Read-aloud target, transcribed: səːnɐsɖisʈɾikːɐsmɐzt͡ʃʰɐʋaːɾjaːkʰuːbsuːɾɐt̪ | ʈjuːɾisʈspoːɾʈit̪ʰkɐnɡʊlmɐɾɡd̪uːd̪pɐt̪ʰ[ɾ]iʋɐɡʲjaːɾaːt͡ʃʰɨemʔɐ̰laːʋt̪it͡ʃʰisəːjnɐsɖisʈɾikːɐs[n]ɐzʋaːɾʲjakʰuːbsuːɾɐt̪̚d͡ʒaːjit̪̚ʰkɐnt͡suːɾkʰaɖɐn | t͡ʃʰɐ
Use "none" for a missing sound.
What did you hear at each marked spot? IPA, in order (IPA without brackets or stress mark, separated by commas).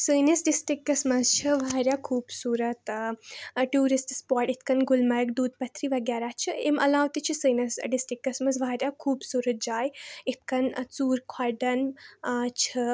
ɾ, m